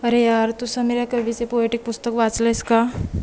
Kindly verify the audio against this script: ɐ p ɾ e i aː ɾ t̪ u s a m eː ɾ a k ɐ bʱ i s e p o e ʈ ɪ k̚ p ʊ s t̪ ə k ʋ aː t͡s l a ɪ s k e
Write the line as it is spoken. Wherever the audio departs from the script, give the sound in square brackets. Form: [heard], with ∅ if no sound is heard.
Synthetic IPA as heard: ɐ [∅] ɾ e [j] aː ɾ t̪ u s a m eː ɾ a k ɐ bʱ i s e p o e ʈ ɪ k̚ p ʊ s t̪ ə k ʋ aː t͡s l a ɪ s k [a]

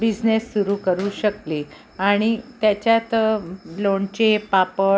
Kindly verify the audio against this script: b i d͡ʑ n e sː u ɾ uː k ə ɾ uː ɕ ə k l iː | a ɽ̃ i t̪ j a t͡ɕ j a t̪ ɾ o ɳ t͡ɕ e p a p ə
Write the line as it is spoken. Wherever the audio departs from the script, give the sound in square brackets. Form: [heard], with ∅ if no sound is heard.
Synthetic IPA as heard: b i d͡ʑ n e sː u ɾ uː k ə ɾ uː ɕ ə k l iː | a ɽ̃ i t̪ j a t͡ɕ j a t̪ [l] o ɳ t͡ɕ e p a p ə

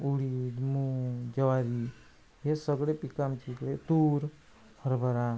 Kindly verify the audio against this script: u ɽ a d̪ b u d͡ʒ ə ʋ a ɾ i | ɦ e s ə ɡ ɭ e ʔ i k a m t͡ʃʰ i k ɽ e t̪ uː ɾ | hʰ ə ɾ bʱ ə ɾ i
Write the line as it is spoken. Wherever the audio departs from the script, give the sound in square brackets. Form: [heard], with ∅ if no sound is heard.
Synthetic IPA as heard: u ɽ [i] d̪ [m] u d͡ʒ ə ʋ a ɾ i | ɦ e s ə ɡ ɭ e [p] i k a m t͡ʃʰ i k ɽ e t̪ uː ɾ | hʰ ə ɾ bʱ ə ɾ [a]

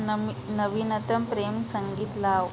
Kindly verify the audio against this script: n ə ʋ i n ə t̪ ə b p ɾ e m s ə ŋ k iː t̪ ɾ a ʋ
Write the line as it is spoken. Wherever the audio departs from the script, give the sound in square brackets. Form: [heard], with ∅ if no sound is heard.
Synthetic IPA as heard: n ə ʋ i n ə t̪ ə [m] p ɾ e m s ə ŋ [ɡ] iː t̪ [l] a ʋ

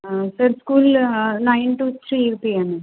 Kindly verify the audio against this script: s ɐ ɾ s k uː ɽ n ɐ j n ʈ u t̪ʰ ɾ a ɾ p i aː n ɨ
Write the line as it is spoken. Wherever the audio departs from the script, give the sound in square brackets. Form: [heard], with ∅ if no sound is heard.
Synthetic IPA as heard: s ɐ ɾ s k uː [l] n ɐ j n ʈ u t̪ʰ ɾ [i] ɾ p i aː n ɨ

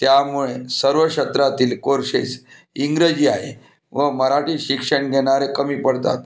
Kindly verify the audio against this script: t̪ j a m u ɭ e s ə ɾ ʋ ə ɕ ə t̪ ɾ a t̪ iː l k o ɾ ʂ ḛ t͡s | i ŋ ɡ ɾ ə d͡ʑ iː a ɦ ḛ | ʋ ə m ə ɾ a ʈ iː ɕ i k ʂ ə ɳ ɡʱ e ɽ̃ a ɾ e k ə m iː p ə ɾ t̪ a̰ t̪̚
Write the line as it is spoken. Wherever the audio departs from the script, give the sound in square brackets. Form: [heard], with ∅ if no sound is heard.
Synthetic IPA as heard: t̪ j a m u ɭ e s ə ɾ ʋ ə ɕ ə t̪ ɾ a t̪ iː l k o ɾ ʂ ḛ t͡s | i ŋ ɡ ɾ ə d͡ʑ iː a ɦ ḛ | ʋ ə m ə ɾ a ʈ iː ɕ i k ʂ ə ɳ ɡʱ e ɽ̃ a ɾ e k ə m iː p ə [ɽ] t̪ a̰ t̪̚

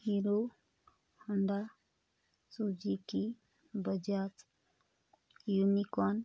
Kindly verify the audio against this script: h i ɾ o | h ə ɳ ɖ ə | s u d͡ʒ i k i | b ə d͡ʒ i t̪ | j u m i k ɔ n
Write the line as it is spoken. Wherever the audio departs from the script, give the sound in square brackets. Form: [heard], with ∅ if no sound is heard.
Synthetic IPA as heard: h i ɾ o | h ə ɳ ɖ [a] | s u d͡ʒ i k i | b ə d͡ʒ [a] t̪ | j u [n] i k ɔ n

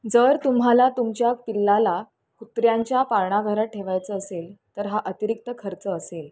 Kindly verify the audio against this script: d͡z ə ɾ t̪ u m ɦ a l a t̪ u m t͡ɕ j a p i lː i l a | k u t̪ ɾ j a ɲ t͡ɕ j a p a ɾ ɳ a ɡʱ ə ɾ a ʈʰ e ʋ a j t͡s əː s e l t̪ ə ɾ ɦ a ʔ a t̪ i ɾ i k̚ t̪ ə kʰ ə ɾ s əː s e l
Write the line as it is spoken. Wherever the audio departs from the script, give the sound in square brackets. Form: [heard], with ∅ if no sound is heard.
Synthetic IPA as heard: d͡z ə ɾ t̪ u m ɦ a l a t̪ u m t͡ɕ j a p i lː [a] l a | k u t̪ ɾ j a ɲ t͡ɕ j a p a ɾ ɳ a ɡʱ ə ɾ a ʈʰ e ʋ a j t͡s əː s e l t̪ ə ɾ ɦ a ʔ [ə] t̪ i ɾ i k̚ t̪ ə kʰ ə ɾ [t͡s] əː s e l

